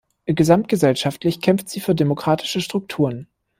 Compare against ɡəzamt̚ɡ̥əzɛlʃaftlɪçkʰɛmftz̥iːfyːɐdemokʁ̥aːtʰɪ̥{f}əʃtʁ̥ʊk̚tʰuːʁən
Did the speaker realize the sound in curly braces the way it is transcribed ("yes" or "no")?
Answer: no